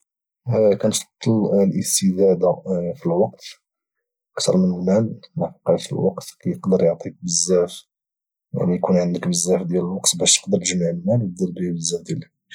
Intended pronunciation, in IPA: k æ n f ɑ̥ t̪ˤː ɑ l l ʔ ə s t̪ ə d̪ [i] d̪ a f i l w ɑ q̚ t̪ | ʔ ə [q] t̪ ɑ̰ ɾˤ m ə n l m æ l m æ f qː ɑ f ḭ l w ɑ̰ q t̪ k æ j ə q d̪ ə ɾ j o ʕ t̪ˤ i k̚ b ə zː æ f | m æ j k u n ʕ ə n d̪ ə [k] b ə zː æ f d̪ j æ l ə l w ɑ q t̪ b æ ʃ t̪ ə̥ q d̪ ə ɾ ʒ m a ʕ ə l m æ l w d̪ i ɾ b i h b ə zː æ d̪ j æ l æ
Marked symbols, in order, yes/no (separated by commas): no, no, yes